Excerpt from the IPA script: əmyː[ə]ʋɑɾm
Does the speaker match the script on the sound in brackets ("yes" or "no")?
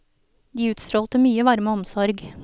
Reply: yes